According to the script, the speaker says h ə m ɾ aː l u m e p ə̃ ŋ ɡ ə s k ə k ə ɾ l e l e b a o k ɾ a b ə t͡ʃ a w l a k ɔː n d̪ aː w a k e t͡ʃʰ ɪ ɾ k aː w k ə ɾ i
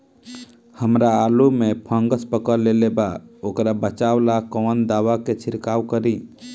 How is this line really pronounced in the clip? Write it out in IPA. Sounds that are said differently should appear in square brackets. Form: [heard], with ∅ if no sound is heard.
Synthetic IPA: h ə m ɾ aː l u m e [pʰ] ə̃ ŋ ɡ ə s [p] ə k ə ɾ l e l e b a o k ɾ a b ə t͡ʃ a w l a k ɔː n d̪ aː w a k e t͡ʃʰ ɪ ɾ k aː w k ə ɾ i